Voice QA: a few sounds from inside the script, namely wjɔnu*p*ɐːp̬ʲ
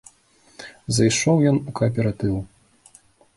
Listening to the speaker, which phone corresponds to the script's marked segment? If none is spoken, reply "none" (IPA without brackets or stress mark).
k